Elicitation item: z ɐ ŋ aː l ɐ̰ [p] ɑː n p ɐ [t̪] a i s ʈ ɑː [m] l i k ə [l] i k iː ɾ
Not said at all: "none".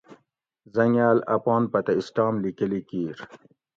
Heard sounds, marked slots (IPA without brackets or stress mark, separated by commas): p, t̪, m, l